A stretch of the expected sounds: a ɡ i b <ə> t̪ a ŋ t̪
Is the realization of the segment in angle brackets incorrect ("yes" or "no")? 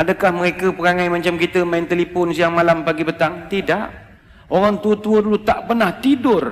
no